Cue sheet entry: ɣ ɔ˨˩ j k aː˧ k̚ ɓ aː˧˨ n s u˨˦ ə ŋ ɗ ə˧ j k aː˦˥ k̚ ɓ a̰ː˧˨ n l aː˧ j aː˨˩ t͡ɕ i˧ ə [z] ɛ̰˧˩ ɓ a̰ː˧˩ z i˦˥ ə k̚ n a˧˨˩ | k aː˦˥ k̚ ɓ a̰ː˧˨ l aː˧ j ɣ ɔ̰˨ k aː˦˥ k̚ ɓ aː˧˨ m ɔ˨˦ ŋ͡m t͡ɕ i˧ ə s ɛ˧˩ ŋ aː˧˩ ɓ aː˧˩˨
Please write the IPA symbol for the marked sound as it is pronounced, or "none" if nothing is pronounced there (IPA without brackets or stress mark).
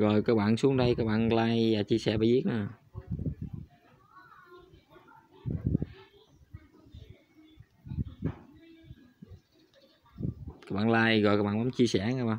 s